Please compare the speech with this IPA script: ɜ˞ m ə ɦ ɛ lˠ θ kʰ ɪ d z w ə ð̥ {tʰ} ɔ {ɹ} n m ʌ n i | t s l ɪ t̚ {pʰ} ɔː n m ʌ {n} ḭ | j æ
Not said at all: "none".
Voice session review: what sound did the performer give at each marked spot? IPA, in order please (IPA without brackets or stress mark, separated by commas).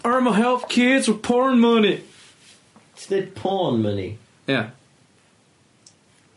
pʰ, ɹ, pʰ, n